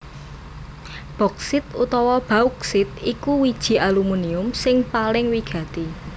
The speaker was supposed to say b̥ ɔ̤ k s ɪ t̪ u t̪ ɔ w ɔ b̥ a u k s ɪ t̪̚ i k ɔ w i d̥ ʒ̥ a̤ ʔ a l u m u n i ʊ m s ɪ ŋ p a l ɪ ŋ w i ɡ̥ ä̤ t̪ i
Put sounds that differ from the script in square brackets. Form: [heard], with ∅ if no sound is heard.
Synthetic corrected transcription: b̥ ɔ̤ k s ɪ t̪ u t̪ ɔ w ɔ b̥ a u k s ɪ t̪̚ i k [u] w i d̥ ʒ̥ [i̤] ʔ a l u m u n i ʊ m s ɪ ŋ p a l ɪ ŋ w i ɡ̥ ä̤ t̪ i